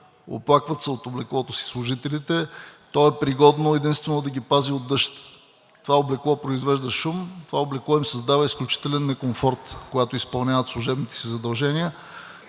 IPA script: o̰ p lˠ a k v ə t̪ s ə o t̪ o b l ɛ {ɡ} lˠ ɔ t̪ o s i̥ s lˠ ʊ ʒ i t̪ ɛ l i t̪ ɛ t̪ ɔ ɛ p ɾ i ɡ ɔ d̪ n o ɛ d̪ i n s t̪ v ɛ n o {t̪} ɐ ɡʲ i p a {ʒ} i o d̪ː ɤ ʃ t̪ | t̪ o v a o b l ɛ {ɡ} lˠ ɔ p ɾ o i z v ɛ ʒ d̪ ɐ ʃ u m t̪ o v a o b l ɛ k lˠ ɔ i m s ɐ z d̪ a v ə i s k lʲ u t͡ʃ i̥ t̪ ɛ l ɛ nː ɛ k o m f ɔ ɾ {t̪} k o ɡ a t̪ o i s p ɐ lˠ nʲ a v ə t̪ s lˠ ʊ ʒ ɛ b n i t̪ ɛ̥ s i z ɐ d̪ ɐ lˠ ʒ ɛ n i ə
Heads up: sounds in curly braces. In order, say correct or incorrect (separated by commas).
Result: incorrect, incorrect, incorrect, incorrect, correct